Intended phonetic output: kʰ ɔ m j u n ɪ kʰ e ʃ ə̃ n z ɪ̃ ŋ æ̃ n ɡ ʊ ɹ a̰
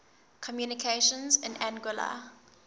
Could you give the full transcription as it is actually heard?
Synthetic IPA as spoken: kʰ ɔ m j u n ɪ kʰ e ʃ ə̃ n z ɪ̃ n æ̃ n ɡ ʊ l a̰

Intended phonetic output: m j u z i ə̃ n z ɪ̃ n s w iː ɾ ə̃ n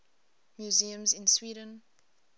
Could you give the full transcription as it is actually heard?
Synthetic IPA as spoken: m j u z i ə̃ m z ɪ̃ n s w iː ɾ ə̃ n

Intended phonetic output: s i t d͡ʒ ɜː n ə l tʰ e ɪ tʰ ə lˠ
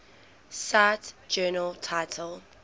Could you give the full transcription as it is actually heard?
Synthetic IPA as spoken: s a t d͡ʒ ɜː n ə l tʰ a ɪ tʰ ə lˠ

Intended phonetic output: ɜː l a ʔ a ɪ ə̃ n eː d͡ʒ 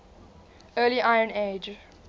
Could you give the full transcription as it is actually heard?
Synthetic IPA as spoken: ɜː l i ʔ a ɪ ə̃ n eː d͡ʒ

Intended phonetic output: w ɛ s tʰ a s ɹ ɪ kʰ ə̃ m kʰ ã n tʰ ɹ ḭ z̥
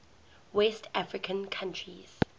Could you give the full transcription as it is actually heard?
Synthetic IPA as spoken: w ɛ s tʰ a f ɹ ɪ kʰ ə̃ n kʰ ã n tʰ ɹ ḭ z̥

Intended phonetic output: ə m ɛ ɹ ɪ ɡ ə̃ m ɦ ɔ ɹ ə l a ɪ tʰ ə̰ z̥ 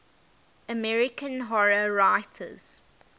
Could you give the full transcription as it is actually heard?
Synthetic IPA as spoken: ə m ɛ ɹ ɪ k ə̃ n ɦ ɔ ɹ ə ɹ a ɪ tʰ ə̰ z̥

